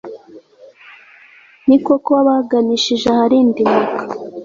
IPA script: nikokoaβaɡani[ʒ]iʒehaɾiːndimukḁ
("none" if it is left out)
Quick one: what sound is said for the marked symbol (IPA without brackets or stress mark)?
ʃ